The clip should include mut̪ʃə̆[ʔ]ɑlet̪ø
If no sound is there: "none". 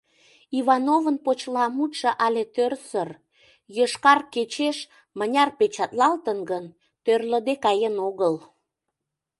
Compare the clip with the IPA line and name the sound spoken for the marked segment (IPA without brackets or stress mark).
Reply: ʔ